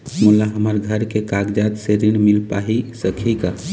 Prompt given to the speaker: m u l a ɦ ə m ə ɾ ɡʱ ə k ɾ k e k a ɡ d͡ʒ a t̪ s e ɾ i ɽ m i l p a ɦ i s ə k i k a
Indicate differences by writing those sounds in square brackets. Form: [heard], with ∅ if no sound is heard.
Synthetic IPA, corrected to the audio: m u l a ɦ ə m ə ɾ ɡʱ ə [∅] ɾ k e k a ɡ d͡ʒ a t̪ s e ɾ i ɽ m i l p a ɦ i s ə [kʰ] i k a